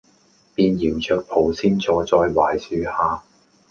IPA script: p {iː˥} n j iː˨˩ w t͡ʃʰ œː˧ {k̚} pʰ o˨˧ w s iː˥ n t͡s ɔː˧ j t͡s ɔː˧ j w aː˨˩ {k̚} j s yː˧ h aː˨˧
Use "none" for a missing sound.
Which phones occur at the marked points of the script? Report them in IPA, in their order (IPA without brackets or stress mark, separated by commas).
iː˧, k̚, none